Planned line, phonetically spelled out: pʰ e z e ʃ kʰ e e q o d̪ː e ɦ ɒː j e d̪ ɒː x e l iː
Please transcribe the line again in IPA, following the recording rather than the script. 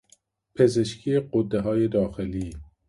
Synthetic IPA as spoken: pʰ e z e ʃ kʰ i e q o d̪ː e ɦ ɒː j e d̪ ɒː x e l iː